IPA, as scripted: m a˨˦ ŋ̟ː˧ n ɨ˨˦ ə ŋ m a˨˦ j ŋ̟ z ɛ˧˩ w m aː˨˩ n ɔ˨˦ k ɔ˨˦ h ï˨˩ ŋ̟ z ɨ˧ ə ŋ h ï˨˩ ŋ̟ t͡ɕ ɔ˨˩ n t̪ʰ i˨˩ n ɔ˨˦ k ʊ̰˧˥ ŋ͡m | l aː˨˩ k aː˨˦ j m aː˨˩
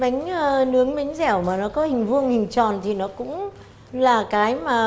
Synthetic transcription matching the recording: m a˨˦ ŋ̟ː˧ n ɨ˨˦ ə ŋ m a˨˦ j ŋ̟ z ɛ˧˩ w m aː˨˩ n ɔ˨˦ k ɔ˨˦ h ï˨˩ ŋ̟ v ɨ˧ ə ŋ h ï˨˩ ŋ̟ t͡ɕ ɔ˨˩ n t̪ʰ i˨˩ n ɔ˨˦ k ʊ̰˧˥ ŋ͡m | l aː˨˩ k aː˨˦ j m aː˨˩

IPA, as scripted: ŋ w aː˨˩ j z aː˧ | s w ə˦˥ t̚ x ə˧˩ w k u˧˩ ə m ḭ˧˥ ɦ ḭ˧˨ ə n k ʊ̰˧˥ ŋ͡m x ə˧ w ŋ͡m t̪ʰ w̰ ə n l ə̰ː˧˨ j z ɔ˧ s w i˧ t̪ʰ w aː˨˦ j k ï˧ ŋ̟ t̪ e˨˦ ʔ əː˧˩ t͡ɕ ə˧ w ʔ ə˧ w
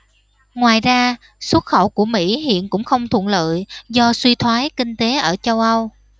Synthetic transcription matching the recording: ŋ w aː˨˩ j z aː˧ | s w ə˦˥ t̚ x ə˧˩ w k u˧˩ ə m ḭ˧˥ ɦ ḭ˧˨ ə n k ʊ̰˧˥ ŋ͡m x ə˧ w ŋ͡m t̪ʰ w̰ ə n l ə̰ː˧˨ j z ɔ˧ s w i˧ t̪ʰ w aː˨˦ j k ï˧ ŋ̟ t̪ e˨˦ ʔ əː˧˩ t͡ɕ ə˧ w ʔ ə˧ w

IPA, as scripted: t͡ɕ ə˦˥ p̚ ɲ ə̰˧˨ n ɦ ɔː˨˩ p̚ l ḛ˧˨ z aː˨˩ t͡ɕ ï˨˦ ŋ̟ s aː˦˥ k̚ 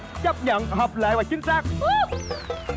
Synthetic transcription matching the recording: t͡ɕ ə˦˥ p̚ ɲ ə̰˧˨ n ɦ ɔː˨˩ p̚ l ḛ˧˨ v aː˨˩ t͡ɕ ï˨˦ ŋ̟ s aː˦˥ k̚

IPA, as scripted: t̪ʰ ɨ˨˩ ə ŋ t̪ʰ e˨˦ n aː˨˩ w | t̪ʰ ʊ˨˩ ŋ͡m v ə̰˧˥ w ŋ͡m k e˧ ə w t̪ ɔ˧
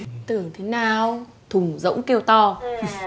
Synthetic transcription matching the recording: t̪ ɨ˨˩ ə ŋ t̪ʰ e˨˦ n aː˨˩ w | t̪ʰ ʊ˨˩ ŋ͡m z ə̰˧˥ w ŋ͡m k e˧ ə w t̪ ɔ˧

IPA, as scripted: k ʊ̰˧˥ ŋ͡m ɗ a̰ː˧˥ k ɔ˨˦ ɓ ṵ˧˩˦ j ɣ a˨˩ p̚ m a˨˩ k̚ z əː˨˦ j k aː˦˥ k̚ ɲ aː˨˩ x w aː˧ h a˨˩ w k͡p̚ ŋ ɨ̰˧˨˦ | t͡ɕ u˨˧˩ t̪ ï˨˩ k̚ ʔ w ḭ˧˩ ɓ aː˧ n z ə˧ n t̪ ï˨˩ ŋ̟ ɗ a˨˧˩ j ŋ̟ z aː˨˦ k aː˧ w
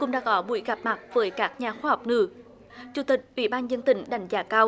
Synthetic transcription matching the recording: k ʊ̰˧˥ ŋ͡m ɗ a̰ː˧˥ k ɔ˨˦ ɓ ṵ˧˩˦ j ɣ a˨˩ p̚ m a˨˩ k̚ v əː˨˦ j k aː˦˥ k̚ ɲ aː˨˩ x w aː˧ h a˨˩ w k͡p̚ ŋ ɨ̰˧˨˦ | t͡ɕ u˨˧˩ t̪ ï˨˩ k̚ ʔ w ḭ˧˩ ɓ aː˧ n z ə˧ n t̪ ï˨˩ ŋ̟ ɗ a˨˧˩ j ŋ̟ z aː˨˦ k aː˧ w

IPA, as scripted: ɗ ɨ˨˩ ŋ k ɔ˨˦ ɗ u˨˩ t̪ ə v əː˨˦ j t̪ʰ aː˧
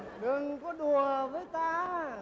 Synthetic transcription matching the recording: ɗ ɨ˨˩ ŋ k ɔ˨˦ ɗ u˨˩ ə v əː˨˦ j t̪ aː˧

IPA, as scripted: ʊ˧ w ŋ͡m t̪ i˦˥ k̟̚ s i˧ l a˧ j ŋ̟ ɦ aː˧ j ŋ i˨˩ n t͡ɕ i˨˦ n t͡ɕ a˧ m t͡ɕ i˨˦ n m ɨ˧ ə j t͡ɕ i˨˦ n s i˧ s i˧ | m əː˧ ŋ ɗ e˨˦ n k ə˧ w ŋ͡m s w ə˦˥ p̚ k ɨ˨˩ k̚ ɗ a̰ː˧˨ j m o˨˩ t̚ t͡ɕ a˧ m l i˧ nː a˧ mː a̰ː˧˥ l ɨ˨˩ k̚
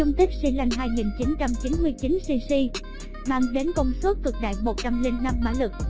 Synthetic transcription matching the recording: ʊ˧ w ŋ͡m t̪ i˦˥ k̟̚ s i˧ l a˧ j ŋ̟ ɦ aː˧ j ŋ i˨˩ n t͡ɕ i˨˦ n t͡ɕ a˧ m t͡ɕ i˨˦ n m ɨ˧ ə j t͡ɕ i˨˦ n s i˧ s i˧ | m aː˧ ŋ ɗ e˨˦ n k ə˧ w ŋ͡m s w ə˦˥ t̚ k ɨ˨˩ k̚ ɗ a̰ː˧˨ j m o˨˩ t̚ t͡ɕ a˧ m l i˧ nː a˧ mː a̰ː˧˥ l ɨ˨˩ k̚

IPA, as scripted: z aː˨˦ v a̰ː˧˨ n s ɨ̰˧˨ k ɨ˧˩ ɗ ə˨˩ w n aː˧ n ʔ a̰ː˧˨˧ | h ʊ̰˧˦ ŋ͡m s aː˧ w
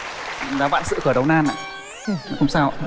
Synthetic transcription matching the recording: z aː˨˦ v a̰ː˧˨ n s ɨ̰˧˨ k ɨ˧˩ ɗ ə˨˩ w n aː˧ n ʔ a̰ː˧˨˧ | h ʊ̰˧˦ ŋ͡m s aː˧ w

